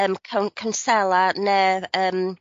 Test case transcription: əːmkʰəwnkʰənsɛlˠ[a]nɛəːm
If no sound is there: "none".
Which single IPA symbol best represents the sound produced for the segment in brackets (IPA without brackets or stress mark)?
a